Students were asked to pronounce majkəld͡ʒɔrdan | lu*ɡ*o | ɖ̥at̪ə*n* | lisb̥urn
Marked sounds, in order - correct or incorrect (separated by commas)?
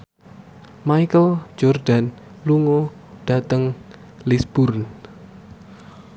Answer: incorrect, incorrect